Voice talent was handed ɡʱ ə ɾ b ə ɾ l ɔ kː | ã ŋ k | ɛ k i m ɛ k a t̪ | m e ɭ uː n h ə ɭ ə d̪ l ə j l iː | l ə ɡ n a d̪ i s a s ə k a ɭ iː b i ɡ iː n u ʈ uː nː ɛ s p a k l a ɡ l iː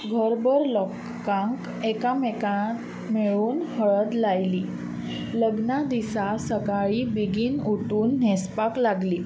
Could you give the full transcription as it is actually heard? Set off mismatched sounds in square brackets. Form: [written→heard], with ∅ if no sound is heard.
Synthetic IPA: ɡʱ ə ɾ b ə ɾ l ɔ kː | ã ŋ k | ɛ k [i→a] m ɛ k a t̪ | m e ɭ uː n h ə ɭ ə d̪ l [ə→a] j l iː | l ə ɡ n a d̪ i s a s ə k a ɭ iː b i ɡ iː n u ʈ uː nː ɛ s p a k l a ɡ l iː